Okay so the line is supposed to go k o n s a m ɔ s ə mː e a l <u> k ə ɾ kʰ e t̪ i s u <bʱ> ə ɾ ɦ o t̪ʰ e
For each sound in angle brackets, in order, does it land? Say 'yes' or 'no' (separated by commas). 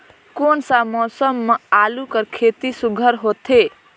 yes, no